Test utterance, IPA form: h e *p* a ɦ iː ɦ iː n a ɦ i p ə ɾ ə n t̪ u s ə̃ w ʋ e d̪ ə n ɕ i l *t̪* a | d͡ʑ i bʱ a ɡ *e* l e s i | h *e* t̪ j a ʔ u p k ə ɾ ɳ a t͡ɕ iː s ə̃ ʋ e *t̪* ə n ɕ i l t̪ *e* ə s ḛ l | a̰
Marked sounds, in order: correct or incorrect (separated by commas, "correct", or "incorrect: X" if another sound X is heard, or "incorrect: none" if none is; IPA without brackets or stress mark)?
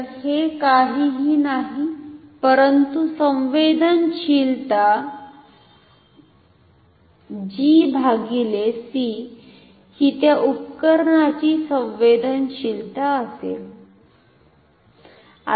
incorrect: k, correct, incorrect: i, incorrect: i, incorrect: d̪, incorrect: a